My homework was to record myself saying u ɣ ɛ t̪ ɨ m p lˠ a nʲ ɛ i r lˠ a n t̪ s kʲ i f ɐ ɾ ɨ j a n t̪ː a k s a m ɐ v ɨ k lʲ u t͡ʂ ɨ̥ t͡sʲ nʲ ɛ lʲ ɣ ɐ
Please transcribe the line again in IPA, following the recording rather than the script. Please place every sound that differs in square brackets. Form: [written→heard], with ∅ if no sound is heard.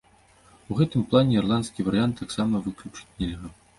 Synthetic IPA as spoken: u ɣ ɛ t̪ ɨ m p lˠ a nʲ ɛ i r lˠ a n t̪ s kʲ i [f→v] ɐ ɾ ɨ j a n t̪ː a k s a m ɐ v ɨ k lʲ u t͡ʂ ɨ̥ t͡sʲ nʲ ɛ lʲ ɣ ɐ